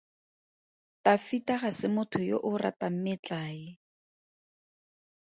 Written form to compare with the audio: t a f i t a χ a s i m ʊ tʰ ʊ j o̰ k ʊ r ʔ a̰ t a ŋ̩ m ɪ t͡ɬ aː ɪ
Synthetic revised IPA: t a f i t a χ a s ɪ m ʊ tʰ ʊ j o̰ ʔ ʊ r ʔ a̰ t a m̩ m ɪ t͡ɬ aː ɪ